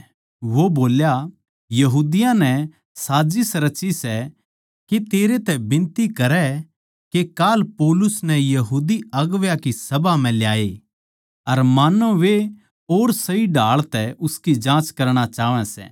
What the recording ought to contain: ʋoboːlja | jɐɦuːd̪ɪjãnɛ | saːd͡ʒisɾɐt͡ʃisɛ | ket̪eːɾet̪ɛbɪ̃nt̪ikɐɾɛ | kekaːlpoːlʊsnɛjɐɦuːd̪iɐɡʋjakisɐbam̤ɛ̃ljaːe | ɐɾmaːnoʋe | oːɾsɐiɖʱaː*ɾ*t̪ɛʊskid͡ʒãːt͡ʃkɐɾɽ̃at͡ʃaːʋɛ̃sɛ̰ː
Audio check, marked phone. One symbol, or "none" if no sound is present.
ɭ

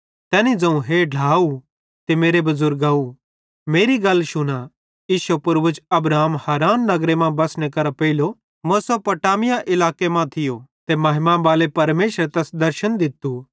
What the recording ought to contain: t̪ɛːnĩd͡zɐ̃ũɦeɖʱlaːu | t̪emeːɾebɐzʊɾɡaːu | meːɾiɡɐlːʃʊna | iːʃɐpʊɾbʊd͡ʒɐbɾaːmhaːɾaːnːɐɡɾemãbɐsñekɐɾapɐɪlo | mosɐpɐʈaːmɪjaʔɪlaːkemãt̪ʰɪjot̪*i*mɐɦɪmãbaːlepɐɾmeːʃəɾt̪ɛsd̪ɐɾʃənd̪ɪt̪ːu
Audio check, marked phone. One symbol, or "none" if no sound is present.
e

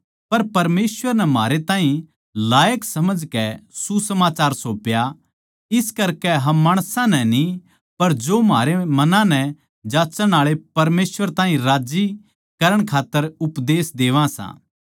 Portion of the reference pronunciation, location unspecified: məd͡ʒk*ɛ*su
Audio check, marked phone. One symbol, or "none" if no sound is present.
ɛ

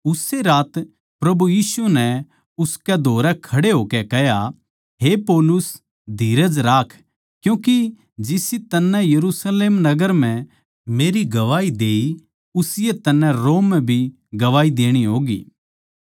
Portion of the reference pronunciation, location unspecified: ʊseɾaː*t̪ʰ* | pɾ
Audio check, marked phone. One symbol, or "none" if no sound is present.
t̪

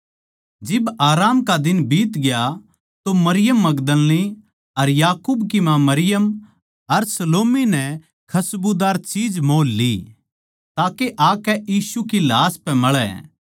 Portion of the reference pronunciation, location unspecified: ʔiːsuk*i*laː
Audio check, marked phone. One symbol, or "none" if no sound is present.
i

